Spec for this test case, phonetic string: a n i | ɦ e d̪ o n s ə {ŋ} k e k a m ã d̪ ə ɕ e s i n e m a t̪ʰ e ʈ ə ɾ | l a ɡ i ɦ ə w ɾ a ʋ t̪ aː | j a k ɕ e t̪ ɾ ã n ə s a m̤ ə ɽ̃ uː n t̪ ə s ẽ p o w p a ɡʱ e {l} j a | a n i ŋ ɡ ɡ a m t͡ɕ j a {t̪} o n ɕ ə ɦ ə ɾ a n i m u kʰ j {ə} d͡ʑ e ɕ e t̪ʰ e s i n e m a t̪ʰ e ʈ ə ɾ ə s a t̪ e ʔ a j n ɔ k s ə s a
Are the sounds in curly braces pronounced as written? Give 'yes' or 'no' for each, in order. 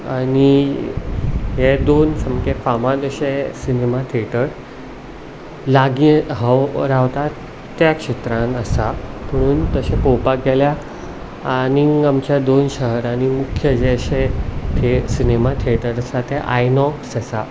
no, yes, no, yes

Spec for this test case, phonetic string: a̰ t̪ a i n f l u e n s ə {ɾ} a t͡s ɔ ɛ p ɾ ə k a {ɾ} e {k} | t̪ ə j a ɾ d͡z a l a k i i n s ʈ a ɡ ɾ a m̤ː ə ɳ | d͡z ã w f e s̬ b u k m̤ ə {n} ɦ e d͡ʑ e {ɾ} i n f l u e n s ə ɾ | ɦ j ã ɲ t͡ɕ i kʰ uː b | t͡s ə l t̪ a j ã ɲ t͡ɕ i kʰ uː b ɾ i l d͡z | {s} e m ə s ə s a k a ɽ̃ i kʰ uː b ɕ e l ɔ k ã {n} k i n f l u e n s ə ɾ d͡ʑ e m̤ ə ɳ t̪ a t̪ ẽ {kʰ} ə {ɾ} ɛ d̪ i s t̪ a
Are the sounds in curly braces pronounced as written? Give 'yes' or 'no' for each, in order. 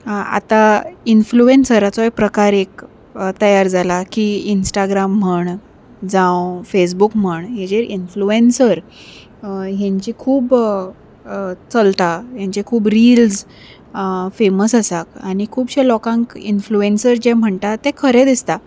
yes, yes, yes, no, yes, no, no, yes, yes

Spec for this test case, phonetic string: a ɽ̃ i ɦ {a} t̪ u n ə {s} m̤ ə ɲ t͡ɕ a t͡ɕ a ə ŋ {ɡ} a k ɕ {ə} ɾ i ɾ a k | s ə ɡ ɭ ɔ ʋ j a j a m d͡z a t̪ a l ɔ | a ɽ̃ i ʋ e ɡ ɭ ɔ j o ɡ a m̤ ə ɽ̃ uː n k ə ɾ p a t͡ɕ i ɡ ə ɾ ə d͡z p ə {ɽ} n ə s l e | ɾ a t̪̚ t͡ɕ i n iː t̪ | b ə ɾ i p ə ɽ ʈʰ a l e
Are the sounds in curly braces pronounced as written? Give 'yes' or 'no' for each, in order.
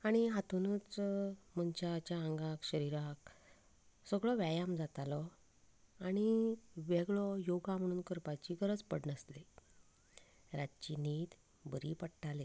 yes, no, yes, yes, yes

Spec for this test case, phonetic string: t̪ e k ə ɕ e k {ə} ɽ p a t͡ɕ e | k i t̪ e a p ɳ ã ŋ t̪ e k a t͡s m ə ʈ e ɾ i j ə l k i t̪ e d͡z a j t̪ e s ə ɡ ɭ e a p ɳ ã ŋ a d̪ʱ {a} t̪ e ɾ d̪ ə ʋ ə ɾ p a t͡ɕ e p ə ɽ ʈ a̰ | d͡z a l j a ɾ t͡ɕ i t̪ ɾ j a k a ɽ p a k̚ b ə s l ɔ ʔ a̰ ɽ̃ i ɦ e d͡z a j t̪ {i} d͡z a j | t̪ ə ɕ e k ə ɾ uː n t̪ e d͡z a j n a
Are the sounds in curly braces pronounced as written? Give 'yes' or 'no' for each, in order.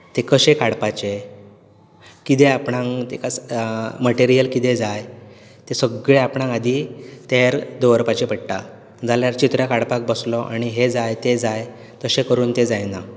no, no, no

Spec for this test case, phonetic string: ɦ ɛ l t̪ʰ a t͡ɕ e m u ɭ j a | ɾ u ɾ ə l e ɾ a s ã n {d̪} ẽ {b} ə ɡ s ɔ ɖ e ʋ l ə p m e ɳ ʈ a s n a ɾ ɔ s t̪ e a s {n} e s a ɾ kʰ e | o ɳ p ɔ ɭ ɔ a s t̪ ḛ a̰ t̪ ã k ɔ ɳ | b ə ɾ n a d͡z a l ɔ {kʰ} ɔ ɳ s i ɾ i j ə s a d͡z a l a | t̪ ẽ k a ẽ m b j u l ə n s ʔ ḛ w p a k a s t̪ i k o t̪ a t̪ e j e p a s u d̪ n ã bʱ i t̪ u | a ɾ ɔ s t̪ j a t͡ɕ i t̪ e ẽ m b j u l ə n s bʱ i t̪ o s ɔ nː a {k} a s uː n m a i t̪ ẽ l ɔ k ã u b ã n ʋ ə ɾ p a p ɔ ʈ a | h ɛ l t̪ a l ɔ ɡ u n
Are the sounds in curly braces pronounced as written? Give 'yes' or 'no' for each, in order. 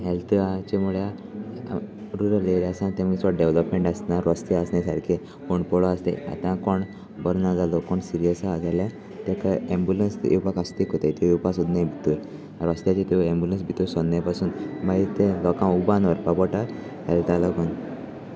no, no, yes, no, no

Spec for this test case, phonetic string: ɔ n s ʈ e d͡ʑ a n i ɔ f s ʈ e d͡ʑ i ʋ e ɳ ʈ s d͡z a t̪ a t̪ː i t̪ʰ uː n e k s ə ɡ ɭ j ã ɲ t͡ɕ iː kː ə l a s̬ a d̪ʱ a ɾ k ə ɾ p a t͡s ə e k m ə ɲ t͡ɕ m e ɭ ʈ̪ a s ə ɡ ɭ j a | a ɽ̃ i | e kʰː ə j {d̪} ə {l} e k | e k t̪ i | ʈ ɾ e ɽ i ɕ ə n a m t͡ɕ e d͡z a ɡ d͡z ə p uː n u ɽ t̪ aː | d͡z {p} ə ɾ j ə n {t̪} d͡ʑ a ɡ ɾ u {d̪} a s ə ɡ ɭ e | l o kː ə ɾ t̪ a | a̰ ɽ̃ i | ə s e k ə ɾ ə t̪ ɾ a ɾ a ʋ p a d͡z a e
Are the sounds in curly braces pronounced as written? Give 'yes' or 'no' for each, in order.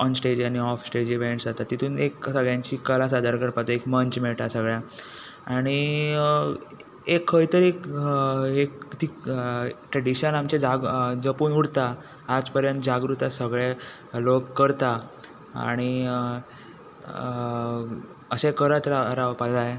no, no, yes, yes, no

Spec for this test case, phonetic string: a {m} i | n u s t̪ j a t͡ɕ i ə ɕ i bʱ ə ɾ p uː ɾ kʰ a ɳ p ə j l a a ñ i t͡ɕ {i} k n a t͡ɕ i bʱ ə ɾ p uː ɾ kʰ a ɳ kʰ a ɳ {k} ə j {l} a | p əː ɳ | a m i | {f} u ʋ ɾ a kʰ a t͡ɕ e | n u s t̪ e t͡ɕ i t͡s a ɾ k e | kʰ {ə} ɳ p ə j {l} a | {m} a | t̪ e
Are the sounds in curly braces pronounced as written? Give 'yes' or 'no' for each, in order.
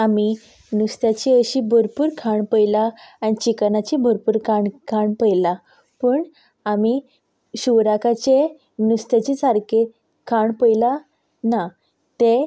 yes, yes, no, yes, no, no, yes, no

